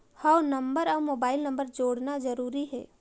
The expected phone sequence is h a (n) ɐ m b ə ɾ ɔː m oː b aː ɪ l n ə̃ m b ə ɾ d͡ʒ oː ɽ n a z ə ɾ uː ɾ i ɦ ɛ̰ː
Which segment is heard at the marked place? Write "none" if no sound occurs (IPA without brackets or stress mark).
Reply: n